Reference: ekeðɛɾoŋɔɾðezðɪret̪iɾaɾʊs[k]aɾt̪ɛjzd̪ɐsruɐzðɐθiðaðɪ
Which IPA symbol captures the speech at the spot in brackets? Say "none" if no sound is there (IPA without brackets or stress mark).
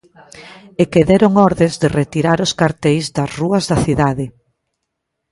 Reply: k